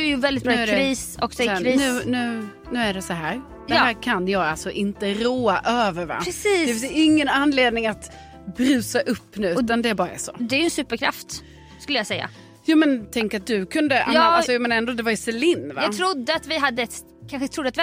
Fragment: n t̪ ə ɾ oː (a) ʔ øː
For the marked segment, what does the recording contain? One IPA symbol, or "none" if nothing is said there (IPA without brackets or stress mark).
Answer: a